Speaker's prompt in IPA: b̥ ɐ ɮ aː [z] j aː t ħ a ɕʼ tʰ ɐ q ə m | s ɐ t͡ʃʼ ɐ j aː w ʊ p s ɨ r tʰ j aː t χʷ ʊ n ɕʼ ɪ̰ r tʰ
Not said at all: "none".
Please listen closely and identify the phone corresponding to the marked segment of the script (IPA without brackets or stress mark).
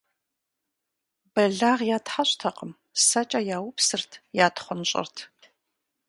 ʁ